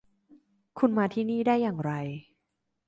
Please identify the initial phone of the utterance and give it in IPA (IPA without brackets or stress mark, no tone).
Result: kʰ